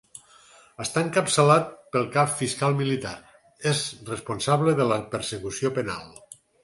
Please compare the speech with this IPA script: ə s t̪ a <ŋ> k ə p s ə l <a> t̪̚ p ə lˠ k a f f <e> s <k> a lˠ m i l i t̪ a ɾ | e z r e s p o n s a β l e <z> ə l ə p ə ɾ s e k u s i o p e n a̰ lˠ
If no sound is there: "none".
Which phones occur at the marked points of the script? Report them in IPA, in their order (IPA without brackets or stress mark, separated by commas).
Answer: ŋ, a, i, k, ð